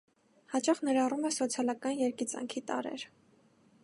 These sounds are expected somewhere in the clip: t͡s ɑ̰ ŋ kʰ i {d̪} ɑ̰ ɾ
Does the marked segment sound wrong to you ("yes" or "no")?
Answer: yes